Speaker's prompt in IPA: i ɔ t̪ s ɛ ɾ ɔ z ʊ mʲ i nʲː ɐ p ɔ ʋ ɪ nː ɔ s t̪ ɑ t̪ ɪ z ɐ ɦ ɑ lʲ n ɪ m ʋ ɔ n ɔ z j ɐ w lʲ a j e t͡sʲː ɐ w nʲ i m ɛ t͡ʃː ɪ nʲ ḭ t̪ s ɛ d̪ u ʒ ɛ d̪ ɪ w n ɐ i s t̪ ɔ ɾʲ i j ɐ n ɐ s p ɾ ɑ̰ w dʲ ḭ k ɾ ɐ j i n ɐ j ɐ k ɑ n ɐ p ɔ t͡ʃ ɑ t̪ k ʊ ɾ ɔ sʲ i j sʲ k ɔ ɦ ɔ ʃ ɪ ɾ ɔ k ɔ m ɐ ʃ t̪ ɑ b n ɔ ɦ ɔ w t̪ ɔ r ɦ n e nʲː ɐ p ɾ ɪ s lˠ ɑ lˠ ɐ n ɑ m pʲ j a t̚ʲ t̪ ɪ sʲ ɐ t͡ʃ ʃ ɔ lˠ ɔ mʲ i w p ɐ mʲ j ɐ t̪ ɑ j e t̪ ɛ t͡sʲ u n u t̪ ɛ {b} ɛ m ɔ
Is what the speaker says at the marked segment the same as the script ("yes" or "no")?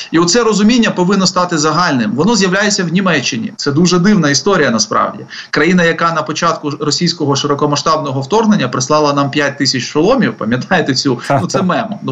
no